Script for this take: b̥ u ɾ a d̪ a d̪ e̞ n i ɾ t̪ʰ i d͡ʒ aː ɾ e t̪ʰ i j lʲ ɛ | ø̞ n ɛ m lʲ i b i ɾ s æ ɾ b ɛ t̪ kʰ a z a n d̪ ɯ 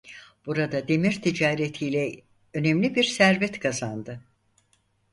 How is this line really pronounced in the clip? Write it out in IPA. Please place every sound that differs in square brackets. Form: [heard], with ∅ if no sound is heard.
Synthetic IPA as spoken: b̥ u ɾ a d̪ a d̪ e̞ [m] i ɾ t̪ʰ i d͡ʒ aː ɾ e t̪ʰ i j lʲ ɛ | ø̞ n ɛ m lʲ i b i ɾ s æ ɾ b ɛ t̪ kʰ a z a n d̪ ɯ